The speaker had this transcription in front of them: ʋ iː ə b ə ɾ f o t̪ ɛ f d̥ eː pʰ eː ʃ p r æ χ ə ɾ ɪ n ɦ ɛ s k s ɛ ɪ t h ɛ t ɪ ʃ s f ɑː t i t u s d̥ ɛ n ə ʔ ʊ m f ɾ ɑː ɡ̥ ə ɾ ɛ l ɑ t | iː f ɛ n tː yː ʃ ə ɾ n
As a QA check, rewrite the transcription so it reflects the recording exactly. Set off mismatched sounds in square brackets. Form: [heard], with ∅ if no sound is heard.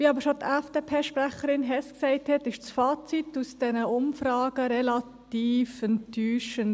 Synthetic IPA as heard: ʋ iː [ɑ] b ə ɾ [ʃ] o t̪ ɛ f d̥ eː pʰ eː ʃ p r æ χ ə ɾ ɪ n ɦ ɛ s k s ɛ ɪ t h ɛ t ɪ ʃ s f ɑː [t͡s] i t u s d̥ ɛ n ə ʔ ʊ m f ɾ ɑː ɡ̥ ə ɾ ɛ l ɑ t | iː f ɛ n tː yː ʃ ə [∅] n